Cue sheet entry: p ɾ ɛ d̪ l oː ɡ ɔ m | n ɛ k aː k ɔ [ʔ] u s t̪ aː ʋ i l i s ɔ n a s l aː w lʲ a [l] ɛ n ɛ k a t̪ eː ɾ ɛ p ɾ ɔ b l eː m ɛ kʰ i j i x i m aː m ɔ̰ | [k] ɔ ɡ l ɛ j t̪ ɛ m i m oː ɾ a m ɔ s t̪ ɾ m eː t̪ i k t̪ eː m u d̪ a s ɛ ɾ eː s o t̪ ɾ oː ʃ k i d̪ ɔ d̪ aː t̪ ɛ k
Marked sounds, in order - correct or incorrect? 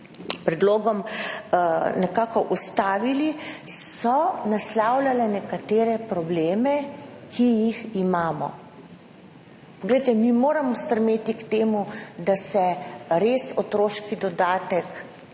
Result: correct, correct, incorrect: p

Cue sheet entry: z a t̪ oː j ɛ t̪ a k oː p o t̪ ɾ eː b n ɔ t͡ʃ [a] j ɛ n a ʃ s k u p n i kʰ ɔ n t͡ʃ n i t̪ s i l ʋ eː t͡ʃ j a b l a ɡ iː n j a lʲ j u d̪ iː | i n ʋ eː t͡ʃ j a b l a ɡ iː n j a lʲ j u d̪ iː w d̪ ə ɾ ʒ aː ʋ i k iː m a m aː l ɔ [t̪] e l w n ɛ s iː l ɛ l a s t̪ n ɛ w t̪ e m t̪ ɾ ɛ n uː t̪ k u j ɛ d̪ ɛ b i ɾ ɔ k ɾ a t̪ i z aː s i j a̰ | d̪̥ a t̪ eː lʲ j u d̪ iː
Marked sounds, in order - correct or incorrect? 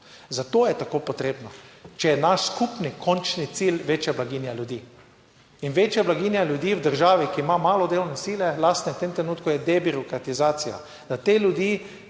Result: incorrect: ɛ, incorrect: d̪

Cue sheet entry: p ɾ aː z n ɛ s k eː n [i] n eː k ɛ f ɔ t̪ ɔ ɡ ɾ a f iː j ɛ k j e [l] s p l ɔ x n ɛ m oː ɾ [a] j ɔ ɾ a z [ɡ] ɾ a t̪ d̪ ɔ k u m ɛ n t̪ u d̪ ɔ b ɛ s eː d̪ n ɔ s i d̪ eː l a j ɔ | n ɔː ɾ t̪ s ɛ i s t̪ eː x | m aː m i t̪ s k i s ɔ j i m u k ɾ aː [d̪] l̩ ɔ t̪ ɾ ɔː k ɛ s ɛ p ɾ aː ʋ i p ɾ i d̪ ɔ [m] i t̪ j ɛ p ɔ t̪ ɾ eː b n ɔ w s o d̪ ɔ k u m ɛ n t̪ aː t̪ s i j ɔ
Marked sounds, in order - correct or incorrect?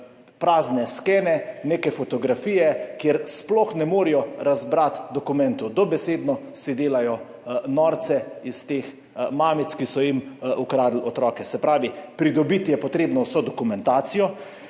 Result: incorrect: ɛ, incorrect: ɾ, incorrect: i, incorrect: b, correct, incorrect: b

